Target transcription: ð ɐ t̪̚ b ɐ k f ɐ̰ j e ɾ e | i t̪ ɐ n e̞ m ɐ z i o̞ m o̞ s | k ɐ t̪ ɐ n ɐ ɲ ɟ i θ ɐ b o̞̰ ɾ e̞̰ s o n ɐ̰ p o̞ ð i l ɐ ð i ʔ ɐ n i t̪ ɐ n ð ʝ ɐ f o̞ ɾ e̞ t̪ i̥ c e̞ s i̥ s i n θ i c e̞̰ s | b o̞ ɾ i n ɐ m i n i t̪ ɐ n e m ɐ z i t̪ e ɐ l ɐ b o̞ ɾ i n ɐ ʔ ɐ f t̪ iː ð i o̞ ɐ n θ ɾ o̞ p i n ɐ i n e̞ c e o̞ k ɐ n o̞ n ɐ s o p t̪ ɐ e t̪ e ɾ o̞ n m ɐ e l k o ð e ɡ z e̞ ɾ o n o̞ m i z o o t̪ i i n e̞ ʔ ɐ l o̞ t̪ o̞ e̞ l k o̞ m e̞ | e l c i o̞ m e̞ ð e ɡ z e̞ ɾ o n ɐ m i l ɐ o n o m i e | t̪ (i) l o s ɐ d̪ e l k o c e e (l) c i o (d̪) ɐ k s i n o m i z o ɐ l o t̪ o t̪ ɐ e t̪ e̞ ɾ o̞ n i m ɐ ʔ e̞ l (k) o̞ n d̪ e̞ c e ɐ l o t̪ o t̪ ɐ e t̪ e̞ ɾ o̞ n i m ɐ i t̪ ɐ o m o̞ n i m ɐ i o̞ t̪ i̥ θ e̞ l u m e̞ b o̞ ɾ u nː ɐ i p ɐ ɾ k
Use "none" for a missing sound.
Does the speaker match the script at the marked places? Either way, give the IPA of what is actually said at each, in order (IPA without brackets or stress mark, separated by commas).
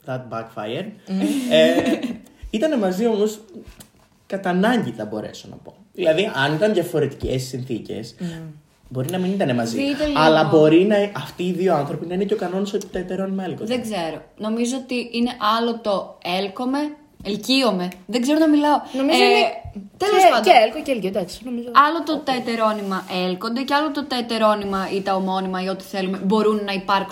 e, l, d̪, k